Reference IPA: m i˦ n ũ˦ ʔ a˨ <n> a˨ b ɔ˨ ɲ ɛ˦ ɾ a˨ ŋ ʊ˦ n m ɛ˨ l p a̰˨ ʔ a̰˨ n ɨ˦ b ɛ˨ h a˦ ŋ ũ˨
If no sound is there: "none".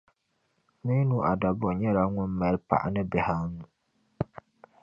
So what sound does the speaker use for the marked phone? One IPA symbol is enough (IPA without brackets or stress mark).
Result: d